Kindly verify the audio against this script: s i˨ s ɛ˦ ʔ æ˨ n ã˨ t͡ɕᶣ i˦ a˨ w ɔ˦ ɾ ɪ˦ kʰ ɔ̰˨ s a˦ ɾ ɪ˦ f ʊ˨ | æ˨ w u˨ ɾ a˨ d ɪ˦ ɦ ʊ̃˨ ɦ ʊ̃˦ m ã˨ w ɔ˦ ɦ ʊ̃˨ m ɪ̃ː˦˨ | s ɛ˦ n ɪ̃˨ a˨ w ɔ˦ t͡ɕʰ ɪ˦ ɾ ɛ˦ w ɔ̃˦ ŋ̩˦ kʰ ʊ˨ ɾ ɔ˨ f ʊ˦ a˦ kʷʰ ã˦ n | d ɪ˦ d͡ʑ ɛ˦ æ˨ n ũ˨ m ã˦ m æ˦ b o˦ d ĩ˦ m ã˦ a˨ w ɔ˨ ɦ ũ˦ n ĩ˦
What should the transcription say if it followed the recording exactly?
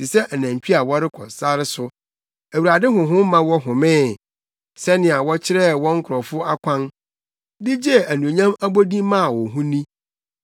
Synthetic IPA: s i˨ s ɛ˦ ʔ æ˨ n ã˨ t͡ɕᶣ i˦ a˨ w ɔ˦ ɾ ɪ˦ kʰ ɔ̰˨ s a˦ ɾ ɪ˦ s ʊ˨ | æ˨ w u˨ ɾ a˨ d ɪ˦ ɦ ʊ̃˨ ɦ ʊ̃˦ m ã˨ w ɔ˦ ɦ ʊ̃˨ m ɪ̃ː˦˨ | s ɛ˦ n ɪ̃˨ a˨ w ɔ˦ t͡ɕʰ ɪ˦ ɾ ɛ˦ w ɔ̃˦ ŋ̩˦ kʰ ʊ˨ ɾ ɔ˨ f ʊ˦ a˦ kʷʰ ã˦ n | d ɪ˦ d͡ʑ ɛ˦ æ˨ n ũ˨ ɲ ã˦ m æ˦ b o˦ d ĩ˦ m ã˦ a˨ w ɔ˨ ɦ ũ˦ n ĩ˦